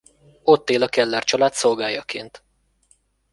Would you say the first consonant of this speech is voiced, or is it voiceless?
voiceless